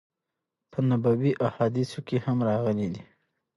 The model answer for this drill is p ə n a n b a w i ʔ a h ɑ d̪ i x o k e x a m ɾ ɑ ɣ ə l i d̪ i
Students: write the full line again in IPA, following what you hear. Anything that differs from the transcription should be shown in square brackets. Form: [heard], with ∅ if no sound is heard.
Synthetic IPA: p ə n a [∅] b a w i ʔ a h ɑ d̪ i [s] o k e [h] a m ɾ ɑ ɣ ə l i d̪ i

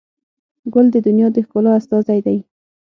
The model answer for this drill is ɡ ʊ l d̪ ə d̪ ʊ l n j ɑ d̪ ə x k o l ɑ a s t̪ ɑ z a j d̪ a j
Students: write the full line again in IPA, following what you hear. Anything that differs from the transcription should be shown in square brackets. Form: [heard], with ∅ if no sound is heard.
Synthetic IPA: ɡ ʊ l d̪ ə d̪ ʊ [∅] n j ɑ d̪ ə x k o l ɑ a s t̪ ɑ z a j d̪ a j

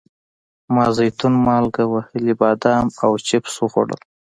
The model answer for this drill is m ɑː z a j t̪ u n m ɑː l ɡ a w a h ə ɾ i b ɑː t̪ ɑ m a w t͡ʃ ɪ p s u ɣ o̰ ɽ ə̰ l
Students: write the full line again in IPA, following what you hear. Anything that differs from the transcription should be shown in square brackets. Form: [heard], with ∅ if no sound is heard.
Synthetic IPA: m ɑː z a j t̪ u n m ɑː l ɡ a w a h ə [l] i b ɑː [d̪] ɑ m a w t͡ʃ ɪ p s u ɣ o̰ ɽ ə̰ l

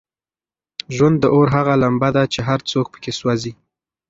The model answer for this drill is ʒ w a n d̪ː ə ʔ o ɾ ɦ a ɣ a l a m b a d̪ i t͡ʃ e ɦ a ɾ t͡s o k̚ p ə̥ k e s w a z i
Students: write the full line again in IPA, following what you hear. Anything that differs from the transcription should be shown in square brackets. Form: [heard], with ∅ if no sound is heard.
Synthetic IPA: ʒ w a n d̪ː ə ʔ o ɾ ɦ a ɣ a l a m b a d̪ [a] t͡ʃ e ɦ a ɾ t͡s o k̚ p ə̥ k e s w a z i

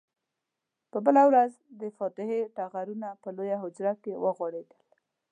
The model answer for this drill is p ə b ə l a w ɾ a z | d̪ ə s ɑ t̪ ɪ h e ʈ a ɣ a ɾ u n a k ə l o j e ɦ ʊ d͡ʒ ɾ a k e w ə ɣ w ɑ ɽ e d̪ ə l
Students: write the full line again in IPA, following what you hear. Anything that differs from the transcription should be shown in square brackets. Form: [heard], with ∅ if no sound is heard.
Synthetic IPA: p ə b ə l a w ɾ a z | d̪ ə [f] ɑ t̪ ɪ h e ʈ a ɣ a ɾ u n a [p] ə l o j [a] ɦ ʊ d͡ʒ ɾ a k e w ə ɣ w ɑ ɽ e d̪ ə l

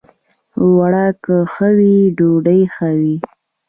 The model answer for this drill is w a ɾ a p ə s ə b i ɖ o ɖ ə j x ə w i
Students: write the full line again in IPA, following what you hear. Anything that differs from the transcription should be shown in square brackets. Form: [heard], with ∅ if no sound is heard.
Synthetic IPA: w a [ɽ] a [k] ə [x] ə [w] i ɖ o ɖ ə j x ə w i

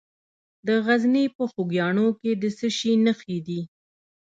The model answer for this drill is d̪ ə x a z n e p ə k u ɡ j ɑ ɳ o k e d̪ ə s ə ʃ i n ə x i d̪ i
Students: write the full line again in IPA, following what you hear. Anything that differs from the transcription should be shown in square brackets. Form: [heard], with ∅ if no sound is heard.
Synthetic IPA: d̪ ə [ɣ] a z n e p ə [x] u ɡ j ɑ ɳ o k e d̪ ə s ə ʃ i n ə x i d̪ i

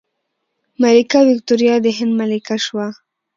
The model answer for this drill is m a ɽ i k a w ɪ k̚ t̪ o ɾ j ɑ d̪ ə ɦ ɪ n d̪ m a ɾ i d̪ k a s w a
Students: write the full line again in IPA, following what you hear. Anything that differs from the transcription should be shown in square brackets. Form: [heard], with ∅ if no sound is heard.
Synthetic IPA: m a [l] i k a w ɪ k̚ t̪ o ɾ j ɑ d̪ ə ɦ ɪ n d̪ m a [l] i [∅] k a [ʃ] w a

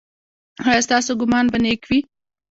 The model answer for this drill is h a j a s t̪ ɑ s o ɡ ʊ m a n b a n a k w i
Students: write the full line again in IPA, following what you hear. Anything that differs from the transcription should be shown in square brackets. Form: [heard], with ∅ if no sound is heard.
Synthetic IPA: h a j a s t̪ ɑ s o ɡ ʊ m [ɑ] n b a n [e] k w i

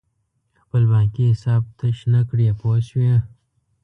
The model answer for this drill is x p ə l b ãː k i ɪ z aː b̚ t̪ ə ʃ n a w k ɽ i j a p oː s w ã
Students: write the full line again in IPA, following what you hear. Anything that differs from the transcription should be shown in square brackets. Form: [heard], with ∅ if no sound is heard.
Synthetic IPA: x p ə l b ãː k i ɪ [s] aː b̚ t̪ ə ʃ n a [∅] k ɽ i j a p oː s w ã

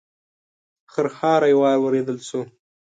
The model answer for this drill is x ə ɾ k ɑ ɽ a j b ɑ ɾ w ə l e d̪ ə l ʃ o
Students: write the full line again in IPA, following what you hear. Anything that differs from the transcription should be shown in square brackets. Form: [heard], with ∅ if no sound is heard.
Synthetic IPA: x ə ɾ [x] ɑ [ɾ] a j [w] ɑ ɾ w ə [ɾ] e d̪ ə l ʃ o

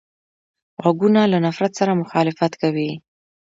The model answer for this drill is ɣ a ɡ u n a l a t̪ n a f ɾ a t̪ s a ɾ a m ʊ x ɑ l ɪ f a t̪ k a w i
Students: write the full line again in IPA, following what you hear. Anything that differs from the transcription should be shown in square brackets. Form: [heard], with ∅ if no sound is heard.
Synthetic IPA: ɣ a ɡ u n a l a [∅] n a f ɾ a t̪ s a ɾ a m ʊ x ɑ l ɪ f a t̪ k a w i

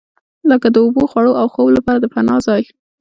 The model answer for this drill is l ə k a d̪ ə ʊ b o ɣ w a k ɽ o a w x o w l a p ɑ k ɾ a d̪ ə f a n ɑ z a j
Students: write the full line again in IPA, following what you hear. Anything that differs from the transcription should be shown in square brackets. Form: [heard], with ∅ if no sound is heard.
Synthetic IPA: l ə k a d̪ ə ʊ b o [x] w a [∅] ɽ o a w x o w l a p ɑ [∅] ɾ a d̪ ə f a n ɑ z [ɑ] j

